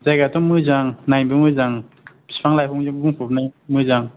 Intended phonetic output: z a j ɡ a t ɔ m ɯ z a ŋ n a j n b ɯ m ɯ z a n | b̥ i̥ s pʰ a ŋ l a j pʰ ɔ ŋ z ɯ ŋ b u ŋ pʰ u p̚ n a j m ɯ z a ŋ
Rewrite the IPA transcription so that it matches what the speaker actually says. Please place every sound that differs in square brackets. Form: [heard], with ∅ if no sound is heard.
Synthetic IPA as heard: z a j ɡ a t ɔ m ɯ z a ŋ n a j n b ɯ m ɯ z a [ŋ] | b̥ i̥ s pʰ a ŋ l a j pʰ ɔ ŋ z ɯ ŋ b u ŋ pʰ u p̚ n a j m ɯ z a ŋ